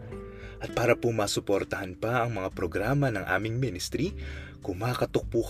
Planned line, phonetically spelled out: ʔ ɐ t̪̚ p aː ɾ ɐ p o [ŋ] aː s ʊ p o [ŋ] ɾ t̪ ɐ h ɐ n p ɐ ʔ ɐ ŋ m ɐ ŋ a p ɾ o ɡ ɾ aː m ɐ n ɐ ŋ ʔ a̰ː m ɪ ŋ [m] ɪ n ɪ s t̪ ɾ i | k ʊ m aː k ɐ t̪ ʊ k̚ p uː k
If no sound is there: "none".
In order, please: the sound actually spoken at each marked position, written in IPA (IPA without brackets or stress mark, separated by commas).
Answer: m, none, m